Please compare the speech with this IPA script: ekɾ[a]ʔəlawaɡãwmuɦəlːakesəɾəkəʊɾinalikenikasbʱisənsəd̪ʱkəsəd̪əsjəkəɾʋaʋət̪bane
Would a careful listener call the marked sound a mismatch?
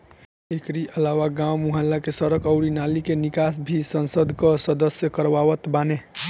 yes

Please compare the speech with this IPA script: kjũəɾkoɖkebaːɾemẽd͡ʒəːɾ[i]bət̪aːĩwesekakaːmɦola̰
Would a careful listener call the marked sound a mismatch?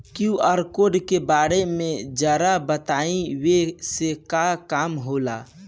yes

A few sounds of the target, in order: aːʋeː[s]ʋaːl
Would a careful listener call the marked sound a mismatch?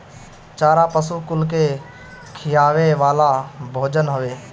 yes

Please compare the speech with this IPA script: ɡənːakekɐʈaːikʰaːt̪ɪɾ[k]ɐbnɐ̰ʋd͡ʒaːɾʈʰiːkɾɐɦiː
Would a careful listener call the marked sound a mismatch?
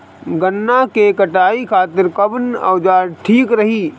no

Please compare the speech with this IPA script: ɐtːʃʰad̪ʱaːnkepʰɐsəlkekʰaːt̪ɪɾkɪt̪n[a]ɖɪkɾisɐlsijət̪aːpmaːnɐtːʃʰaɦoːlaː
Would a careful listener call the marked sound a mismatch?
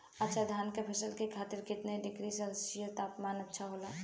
yes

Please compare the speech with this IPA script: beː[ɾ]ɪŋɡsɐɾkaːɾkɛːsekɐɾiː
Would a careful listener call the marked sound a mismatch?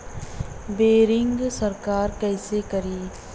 no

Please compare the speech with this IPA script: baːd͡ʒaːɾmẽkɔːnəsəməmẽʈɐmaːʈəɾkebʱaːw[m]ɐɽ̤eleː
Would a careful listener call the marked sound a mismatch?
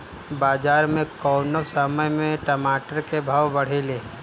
yes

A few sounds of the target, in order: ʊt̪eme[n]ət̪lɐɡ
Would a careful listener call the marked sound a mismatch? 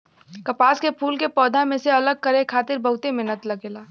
no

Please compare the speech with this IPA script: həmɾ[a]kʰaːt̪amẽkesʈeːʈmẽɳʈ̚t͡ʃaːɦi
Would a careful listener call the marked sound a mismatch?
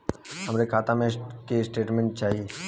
yes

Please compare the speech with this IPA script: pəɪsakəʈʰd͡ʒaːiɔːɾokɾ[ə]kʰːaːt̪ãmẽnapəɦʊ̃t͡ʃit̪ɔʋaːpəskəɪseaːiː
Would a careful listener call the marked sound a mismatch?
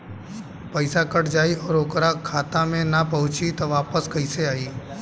yes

